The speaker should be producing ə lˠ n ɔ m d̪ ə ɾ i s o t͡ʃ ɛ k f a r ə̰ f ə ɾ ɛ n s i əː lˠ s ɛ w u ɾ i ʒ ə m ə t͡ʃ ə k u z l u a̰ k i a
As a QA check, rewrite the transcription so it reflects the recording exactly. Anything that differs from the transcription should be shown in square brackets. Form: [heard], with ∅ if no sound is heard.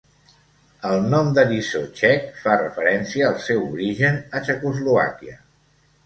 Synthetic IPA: ə lˠ n ɔ m d̪ ə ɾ i s o t͡ʃ ɛ k f a r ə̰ f ə ɾ ɛ n s i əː lˠ s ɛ w u ɾ i ʒ ə [n] ə t͡ʃ ə k u z l u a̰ k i [ə]